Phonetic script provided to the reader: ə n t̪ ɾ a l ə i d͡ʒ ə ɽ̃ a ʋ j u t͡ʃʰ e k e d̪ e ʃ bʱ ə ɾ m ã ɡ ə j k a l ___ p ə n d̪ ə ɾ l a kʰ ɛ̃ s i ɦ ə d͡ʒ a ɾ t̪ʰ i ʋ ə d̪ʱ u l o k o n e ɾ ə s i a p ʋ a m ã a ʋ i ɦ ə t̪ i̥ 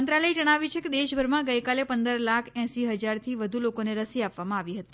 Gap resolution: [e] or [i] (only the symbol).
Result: e